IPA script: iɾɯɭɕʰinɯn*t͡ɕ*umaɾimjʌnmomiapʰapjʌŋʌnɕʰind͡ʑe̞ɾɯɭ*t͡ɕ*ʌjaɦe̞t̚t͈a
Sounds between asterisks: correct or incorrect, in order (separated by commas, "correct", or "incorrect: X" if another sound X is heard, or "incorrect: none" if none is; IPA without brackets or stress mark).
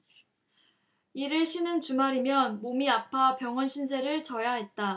correct, correct